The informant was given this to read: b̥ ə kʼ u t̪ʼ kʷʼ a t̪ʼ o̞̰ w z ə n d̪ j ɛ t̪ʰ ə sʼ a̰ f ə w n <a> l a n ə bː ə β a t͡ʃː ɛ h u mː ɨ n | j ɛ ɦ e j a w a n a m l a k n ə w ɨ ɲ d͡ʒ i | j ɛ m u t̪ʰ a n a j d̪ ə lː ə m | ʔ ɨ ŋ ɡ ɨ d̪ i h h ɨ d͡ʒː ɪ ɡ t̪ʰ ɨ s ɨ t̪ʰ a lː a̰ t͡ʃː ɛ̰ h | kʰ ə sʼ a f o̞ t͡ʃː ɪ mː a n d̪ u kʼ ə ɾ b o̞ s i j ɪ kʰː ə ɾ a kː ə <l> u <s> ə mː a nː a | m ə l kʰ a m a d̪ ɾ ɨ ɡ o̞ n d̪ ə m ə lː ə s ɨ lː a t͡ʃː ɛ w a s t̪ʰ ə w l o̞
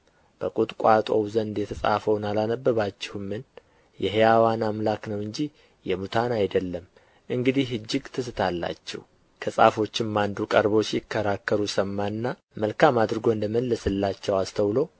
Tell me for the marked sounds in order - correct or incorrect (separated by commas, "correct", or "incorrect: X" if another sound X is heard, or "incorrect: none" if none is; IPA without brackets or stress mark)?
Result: correct, incorrect: ɾ, correct